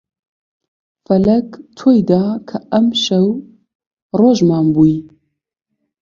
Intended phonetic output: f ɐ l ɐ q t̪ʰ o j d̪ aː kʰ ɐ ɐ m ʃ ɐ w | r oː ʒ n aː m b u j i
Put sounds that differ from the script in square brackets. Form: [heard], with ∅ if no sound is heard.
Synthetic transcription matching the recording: f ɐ l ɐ [k] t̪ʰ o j d̪ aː kʰ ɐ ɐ m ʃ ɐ w | r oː ʒ [m] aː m b u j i